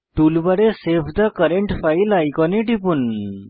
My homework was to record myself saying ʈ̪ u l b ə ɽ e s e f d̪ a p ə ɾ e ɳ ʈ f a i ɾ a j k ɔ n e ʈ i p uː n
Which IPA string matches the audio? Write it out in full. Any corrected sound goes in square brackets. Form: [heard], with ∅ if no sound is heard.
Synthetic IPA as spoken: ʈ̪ u l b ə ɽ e s e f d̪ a [k] ə ɾ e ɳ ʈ f a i [l] a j k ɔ n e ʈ i p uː n